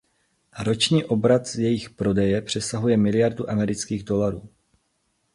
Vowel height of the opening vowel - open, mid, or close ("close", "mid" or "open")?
mid